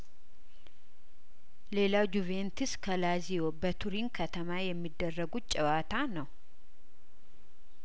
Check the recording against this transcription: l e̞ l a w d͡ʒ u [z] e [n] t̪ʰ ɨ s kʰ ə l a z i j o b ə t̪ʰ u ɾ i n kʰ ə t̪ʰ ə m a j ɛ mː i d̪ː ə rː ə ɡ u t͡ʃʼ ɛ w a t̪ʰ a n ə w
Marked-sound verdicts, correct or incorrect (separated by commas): incorrect, correct